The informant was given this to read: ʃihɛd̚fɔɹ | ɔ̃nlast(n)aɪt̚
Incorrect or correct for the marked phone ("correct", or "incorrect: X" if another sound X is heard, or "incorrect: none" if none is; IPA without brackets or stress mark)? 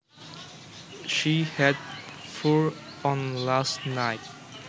correct